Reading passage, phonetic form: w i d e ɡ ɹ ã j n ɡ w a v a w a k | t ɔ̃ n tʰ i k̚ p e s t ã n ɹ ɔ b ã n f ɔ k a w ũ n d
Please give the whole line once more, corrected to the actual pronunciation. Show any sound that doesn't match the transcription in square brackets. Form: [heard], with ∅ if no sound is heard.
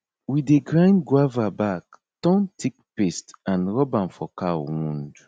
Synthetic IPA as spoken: w i d e ɡ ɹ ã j n ɡ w a v a [b] a k | t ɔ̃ n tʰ i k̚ p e s t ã n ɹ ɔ b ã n f ɔ k a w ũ n d